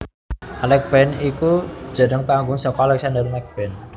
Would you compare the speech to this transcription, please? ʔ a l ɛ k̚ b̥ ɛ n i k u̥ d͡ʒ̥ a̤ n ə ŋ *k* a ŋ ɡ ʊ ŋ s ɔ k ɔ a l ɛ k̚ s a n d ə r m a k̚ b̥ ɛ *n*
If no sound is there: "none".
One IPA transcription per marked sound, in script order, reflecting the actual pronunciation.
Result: p, n

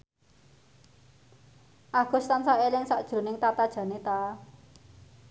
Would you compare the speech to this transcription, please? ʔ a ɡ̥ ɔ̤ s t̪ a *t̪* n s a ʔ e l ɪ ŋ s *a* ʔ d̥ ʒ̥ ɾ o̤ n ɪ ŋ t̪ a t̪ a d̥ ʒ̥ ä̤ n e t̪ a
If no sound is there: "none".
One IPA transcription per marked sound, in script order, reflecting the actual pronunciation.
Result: none, a

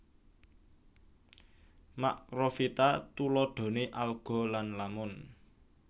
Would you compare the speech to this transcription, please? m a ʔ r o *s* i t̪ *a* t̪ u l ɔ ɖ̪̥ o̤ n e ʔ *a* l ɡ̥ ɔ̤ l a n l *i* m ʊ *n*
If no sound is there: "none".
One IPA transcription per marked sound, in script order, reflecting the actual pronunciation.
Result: f, a, a, a, n

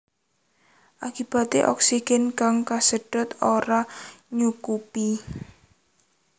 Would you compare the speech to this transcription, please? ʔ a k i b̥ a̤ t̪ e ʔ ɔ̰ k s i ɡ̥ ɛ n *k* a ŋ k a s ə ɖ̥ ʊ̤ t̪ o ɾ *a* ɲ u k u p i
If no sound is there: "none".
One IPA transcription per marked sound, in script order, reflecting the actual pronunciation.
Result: k, a

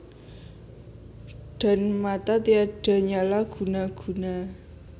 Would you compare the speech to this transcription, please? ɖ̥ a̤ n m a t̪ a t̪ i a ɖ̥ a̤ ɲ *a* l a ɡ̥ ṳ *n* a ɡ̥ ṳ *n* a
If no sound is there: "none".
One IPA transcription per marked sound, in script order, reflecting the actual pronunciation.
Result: a, n, n

